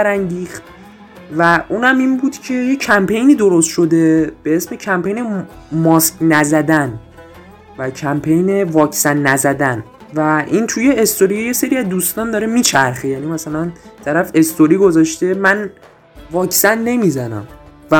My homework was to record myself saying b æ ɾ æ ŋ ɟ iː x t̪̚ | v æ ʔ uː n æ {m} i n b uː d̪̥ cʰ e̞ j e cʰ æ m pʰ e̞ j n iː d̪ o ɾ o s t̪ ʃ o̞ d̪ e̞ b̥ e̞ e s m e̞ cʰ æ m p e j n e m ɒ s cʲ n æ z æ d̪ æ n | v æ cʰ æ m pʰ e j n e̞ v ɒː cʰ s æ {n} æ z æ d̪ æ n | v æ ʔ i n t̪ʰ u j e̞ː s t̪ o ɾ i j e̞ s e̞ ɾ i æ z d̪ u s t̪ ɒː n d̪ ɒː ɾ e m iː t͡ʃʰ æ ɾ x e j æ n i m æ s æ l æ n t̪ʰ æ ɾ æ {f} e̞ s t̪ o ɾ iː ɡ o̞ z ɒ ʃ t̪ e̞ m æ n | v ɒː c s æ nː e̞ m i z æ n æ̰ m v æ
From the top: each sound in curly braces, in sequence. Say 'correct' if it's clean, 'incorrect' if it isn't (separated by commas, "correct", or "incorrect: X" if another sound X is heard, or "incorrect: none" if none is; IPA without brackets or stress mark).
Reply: correct, incorrect: nː, correct